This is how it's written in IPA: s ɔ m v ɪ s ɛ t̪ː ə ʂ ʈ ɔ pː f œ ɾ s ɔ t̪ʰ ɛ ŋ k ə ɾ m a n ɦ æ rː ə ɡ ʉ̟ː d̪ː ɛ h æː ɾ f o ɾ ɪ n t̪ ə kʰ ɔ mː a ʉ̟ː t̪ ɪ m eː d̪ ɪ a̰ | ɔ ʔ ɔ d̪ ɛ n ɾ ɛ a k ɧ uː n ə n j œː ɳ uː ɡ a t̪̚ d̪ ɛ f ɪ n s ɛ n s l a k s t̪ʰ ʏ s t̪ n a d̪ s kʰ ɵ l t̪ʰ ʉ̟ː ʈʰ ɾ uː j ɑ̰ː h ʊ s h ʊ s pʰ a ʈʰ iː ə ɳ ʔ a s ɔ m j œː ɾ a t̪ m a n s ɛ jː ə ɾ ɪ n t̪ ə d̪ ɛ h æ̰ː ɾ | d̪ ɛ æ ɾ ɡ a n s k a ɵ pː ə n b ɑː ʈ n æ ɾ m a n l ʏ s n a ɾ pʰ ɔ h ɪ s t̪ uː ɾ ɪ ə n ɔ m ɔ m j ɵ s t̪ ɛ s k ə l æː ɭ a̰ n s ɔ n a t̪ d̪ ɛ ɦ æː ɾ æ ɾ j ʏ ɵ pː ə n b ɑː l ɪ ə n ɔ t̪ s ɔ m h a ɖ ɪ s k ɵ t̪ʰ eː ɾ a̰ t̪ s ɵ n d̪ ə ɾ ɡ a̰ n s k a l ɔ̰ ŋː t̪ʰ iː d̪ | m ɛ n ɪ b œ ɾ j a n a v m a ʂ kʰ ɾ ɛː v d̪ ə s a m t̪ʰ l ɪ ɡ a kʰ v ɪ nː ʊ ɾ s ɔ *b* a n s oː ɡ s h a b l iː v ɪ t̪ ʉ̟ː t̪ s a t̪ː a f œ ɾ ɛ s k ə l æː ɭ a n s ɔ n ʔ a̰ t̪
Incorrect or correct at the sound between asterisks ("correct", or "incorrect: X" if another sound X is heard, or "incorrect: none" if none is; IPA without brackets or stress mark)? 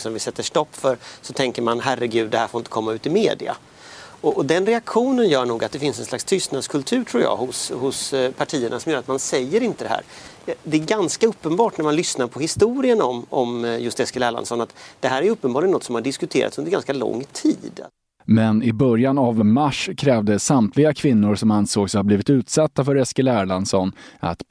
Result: incorrect: m